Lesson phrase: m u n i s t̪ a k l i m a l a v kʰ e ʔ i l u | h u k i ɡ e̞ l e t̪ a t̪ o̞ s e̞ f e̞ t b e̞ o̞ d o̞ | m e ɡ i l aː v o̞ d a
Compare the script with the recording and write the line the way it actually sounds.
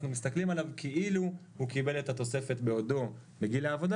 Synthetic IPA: n u m i s t̪ a k l i m a l a v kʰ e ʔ i l u | h u k i b e̞ l e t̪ a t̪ o̞ s e̞ f e̞ t b e̞ o̞ d o̞ | m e ɡ i l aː v o̞ d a